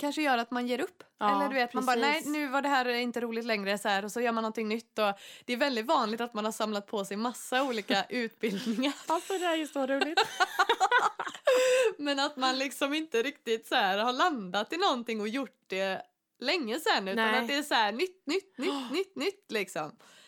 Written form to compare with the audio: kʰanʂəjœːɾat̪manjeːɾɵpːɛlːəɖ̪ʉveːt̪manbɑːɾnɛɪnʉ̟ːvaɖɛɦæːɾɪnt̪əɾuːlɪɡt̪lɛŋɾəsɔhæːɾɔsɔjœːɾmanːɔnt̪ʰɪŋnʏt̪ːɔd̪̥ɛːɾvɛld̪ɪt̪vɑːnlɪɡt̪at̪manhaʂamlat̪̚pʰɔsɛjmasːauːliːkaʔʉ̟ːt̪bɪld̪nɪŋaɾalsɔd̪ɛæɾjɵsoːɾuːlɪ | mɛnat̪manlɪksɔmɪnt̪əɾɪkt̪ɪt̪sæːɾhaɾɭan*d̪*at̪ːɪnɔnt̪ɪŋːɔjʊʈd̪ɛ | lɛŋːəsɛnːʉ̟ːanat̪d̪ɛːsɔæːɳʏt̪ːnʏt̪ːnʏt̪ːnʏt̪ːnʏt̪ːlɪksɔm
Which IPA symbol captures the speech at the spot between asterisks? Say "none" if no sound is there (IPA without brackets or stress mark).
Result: d̪